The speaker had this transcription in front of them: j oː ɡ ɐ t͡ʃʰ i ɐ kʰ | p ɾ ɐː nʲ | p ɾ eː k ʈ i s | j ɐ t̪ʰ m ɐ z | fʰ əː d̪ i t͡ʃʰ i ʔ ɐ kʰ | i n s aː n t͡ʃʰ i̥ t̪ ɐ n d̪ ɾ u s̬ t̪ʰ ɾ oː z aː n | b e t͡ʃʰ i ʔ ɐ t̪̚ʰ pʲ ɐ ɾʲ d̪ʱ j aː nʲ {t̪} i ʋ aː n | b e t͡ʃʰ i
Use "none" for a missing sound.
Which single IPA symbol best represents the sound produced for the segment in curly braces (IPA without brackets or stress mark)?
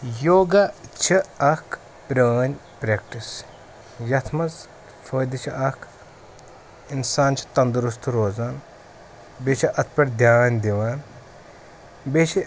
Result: d̪